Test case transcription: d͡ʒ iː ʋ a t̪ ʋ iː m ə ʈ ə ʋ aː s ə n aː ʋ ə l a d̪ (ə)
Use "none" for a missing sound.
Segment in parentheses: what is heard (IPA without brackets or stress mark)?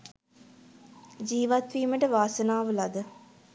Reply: ə